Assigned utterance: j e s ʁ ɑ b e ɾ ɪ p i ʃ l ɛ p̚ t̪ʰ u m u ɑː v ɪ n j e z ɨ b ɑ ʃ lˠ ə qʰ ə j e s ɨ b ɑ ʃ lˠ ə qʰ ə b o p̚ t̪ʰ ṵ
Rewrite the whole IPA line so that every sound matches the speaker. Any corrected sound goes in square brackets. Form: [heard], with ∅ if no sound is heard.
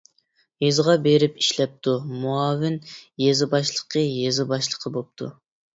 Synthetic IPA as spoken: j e [z] ʁ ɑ b e ɾ ɪ p i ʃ l ɛ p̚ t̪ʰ u m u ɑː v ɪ n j e z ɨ b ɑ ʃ lˠ ə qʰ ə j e [z] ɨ b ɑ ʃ lˠ ə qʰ ə b o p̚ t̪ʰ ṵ